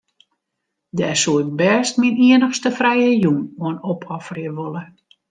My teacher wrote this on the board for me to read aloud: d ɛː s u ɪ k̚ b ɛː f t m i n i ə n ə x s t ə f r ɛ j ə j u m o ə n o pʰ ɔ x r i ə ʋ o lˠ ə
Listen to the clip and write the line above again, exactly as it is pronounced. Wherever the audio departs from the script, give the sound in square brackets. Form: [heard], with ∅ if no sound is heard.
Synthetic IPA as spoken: d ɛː s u ɪ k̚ b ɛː [s] t m i n i ə n ə x s t ə f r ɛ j ə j u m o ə n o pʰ ɔ [f] r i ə ʋ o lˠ ə